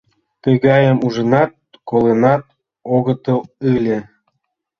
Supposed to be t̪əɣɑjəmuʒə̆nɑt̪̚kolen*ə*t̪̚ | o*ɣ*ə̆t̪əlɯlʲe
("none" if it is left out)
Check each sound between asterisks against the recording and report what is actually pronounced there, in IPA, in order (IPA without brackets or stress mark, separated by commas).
ɑ, ɣ